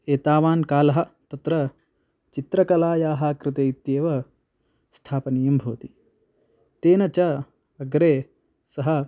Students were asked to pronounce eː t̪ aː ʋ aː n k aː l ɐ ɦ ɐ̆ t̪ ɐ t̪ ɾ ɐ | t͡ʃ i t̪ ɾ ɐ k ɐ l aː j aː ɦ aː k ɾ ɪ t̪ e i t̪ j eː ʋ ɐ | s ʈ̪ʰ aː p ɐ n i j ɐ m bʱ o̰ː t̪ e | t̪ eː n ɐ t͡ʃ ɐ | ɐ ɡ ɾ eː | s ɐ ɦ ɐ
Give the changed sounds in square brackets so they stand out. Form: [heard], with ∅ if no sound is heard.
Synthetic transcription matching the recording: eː t̪ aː ʋ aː n k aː l ɐ ɦ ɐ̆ t̪ ɐ t̪ ɾ ɐ | t͡ʃ i t̪ ɾ ɐ k ɐ l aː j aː ɦ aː k ɾ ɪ t̪ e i t̪ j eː ʋ ɐ | s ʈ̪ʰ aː p ɐ n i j ɐ m bʱ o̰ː t̪ [i] | t̪ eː n ɐ t͡ʃ ɐ | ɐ ɡ ɾ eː | s ɐ ɦ ɐ